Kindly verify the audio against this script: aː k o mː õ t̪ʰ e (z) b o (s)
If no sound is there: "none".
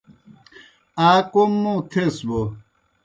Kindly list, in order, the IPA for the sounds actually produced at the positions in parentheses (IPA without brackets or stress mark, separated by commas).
s, none